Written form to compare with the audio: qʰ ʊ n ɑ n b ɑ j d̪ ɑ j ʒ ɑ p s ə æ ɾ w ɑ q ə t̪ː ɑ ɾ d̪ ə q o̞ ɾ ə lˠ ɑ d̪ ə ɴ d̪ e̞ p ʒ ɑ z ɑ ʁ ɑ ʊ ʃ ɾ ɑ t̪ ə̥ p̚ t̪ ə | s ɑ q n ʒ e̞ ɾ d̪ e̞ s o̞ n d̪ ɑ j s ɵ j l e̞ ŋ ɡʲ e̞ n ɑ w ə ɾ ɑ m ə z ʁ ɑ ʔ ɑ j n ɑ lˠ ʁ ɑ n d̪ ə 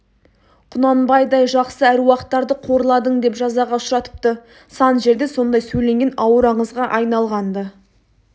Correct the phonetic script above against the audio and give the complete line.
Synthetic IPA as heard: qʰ ʊ n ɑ n b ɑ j d̪ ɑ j ʒ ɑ q s ə æ ɾ w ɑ q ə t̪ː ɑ ɾ d̪ ə qʰ o̞ ɾ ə lˠ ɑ d̪ ə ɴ d̪ e̞ p ʒ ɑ z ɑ ʁ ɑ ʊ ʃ ɾ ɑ t̪ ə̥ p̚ t̪ ə | s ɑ n ʒ e̞ ɾ d̪ e̞ s o̞ n d̪ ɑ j s ɵ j l e̞ ŋ ɡʲ e̞ n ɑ w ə ɾ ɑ ɴ ə z ʁ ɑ ʔ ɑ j n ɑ lˠ ʁ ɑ n d̪ ə

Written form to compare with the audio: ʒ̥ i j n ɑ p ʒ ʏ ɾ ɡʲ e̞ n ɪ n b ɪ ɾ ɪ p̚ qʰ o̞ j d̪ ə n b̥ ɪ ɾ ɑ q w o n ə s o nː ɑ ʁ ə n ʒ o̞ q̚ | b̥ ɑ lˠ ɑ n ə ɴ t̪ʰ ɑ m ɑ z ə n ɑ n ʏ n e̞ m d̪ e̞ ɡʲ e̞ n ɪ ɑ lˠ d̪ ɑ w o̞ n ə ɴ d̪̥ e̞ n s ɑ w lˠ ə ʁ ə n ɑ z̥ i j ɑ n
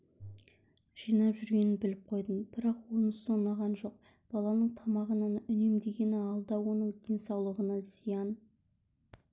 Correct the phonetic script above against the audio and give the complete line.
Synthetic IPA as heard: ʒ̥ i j n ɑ p ʒ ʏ ɾ ɡʲ e̞ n ɪ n b ɪ l ɪ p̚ qʰ o̞ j d̪ ə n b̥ ɪ ɾ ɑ q w o n ə s o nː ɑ ʁ ɑ n ʒ o̞ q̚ | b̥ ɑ lˠ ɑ n ə ɴ t̪ʰ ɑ m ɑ ʁ ə n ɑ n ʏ n e̞ m d̪ e̞ ɡʲ e̞ n ɪ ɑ lˠ d̪ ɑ w o̞ n ə ɴ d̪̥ e̞ n s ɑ w lˠ ə ʁ ə n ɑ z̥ i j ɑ n

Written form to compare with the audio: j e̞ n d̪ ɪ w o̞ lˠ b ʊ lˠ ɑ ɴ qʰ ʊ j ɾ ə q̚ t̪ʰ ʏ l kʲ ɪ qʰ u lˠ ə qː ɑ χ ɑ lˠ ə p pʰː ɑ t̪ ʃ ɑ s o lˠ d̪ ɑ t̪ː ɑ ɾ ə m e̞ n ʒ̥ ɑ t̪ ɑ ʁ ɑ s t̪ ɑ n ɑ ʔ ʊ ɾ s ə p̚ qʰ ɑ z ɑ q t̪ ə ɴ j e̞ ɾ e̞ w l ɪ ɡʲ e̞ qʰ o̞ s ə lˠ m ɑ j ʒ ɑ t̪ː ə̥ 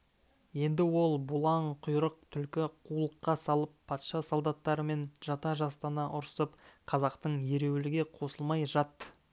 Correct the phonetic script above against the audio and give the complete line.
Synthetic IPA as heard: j e̞ n d̪ ɪ w o̞ lˠ b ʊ lˠ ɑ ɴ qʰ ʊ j ɾ ə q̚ t̪ʰ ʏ l kʲ ɪ qʰ u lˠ ə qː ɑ s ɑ lˠ ə p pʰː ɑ t̪ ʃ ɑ s o lˠ d̪ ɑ t̪ː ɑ ɾ ə m e̞ n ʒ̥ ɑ t̪ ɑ ʒ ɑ s t̪ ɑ n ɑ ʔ ʊ ɾ s ə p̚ qʰ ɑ z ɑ q t̪ ə ɴ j e̞ ɾ e̞ w l ɪ ɡʲ e̞ qʰ o̞ s ə lˠ m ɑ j ʒ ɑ t̪ː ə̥

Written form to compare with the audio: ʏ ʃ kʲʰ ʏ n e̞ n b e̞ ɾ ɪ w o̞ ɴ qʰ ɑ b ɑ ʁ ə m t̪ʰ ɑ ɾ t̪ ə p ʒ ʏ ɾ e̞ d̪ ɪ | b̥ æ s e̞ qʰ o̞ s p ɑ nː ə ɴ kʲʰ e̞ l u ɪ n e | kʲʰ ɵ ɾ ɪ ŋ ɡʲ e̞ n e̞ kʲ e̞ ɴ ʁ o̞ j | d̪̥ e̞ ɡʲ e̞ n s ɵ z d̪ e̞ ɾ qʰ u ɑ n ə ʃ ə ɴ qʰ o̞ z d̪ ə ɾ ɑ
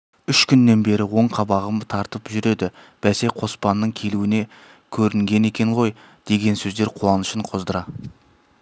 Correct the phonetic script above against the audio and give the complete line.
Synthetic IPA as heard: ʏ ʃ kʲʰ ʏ nː e̞ n b e̞ ɾ ɪ w o̞ ɴ qʰ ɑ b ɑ ʁ ə m t̪ʰ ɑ ɾ t̪ ə p ʒ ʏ ɾ e̞ d̪ ɪ | b̥ æ s e̞ qʰ o̞ s p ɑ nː ə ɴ kʲʰ e̞ l u ɪ n e | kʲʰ ɵ ɾ ɪ ŋ ɡʲ e̞ n e̞ kʲ e̞ ɴ ʁ o̞ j | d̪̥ e̞ ɡʲ e̞ n s ɵ z d̪ e̞ ɾ qʰ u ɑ n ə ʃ ə ɴ qʰ o̞ z d̪ ə ɾ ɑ

